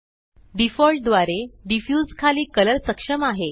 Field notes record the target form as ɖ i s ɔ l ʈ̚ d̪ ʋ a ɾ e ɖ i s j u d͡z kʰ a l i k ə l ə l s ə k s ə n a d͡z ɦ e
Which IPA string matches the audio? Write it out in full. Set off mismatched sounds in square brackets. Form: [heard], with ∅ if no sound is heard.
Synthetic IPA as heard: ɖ i [f] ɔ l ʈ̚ d̪ ʋ a ɾ e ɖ i [f] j u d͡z kʰ a l [iː] k ə l ə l s ə k [ʂ] ə [m] a [∅] ɦ e